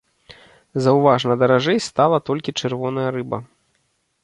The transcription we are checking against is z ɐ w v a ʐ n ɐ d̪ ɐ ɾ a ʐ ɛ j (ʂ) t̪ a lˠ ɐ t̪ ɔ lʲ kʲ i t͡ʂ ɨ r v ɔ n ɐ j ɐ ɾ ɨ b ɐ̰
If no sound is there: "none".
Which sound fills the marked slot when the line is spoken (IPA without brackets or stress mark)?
s